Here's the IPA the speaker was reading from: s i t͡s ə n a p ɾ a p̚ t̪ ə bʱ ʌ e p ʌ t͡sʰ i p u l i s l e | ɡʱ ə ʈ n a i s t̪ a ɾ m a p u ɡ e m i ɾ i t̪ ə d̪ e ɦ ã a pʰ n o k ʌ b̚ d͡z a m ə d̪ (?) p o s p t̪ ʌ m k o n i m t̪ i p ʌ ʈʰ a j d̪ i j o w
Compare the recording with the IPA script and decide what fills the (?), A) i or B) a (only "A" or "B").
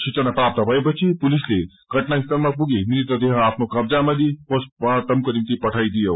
A